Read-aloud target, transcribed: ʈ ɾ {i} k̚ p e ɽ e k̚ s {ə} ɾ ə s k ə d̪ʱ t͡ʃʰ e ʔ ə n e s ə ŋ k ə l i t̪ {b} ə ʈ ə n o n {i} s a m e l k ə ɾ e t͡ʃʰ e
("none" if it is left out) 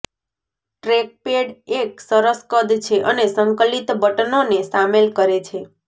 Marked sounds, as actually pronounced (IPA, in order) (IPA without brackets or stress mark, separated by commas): e, ə, b, e